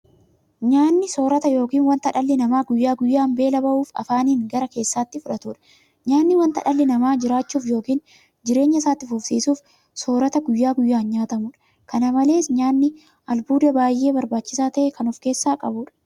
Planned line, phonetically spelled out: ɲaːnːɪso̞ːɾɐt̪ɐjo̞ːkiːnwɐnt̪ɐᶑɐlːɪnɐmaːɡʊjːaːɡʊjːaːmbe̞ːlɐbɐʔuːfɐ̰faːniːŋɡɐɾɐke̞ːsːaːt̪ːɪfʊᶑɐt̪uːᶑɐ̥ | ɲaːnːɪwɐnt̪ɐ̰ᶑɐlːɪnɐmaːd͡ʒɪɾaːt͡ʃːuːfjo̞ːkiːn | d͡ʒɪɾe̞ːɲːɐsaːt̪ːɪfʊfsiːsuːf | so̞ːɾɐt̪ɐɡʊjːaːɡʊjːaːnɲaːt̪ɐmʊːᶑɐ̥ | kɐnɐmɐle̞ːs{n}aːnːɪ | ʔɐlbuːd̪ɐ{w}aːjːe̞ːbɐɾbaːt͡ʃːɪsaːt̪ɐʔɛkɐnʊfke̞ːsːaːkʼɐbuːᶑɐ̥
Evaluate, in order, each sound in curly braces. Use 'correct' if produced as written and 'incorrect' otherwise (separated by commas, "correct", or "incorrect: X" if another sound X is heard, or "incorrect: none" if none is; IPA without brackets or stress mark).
incorrect: ɲ, incorrect: b